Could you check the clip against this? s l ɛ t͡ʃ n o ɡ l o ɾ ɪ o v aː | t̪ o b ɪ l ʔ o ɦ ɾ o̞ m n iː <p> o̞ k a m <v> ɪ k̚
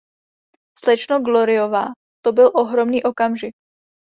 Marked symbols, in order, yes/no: no, no

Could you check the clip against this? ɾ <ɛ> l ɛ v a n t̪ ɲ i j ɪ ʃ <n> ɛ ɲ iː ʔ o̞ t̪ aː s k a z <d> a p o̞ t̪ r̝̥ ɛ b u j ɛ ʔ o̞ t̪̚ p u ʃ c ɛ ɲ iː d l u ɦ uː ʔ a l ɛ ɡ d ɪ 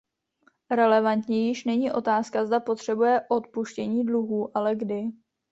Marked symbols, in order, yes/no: yes, yes, yes

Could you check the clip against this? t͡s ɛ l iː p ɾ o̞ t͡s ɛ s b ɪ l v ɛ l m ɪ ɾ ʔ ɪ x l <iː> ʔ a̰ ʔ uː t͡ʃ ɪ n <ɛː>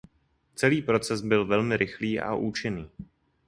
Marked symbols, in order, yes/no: yes, no

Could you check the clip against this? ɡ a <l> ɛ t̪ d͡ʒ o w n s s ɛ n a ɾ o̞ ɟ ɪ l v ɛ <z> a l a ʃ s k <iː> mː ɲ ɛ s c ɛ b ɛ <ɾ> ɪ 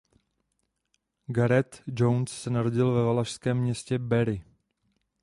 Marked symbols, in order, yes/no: no, no, no, yes

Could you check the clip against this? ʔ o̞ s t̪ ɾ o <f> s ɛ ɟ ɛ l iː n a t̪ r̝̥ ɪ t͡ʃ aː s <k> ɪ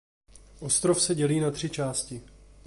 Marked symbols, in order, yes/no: yes, no

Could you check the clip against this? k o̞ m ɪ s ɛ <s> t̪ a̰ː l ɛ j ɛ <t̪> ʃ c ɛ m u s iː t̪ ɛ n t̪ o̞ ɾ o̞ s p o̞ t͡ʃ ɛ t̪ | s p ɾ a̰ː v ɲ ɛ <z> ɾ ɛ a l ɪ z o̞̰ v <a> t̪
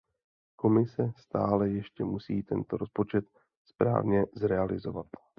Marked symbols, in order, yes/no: yes, no, yes, yes

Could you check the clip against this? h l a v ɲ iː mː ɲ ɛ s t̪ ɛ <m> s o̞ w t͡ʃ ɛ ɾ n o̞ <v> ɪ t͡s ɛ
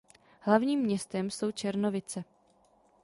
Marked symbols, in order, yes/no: yes, yes

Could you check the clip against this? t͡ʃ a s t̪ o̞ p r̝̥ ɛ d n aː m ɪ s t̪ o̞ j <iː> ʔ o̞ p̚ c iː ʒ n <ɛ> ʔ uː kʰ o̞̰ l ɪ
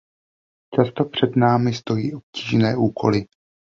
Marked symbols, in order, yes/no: yes, no

